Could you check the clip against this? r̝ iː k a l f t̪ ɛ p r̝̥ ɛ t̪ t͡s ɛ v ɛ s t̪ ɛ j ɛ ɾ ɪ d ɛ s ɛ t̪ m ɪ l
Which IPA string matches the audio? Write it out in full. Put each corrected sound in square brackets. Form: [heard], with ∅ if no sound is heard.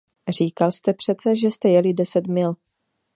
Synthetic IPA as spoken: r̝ iː k a l [s] t̪ ɛ p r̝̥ ɛ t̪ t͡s ɛ [ʒ] ɛ s t̪ ɛ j ɛ [l] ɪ d ɛ s ɛ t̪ m ɪ l